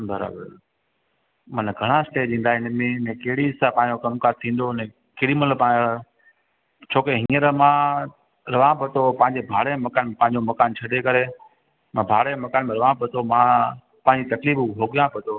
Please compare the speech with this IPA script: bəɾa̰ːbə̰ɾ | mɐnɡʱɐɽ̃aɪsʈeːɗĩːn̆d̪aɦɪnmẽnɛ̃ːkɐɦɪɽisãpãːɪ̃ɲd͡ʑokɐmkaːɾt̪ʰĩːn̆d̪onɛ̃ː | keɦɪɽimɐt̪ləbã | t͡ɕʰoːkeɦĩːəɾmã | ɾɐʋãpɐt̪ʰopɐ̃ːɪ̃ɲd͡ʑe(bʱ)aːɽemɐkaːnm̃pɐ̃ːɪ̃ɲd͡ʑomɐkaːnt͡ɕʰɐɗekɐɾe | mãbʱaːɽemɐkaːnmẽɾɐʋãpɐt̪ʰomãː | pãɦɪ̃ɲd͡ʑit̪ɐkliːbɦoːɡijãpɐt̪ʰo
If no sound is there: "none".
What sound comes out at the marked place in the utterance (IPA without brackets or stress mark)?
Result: bʱ